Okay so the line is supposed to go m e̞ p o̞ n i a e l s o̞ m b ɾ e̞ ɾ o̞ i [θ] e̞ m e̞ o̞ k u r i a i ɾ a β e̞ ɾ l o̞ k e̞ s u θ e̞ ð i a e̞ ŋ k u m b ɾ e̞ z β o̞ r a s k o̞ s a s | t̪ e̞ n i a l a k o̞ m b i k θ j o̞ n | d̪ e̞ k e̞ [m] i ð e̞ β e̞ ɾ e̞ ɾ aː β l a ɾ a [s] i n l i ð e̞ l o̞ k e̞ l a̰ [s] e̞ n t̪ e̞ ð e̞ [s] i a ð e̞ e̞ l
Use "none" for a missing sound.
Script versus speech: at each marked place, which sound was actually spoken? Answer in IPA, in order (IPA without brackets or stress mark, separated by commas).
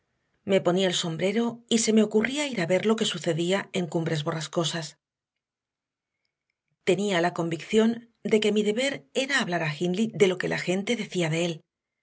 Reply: s, m, x, x, θ